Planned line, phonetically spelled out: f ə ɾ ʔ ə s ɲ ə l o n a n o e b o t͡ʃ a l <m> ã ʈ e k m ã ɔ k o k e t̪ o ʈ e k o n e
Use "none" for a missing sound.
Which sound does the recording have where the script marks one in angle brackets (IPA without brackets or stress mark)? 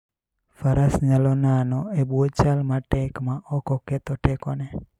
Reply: m